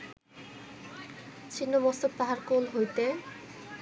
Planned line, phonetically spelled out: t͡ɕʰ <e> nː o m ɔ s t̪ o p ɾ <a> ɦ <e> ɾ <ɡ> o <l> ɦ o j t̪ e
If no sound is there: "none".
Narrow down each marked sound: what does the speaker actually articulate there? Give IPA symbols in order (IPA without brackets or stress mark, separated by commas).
i, a, a, k, l